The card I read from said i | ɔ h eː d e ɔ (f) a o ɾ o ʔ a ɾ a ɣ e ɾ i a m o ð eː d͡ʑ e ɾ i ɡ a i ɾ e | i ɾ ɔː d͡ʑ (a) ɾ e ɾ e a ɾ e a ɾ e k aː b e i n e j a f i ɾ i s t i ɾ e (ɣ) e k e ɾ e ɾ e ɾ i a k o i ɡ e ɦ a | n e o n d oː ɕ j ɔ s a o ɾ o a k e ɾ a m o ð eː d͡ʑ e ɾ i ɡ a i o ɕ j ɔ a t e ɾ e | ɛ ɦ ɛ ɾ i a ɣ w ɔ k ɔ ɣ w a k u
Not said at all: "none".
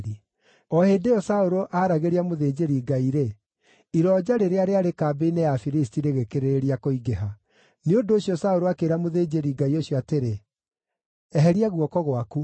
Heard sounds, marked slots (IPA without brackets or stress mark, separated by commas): s, a, ɣ